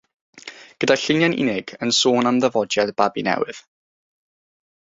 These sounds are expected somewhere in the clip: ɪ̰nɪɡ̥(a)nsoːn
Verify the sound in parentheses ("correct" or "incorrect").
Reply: incorrect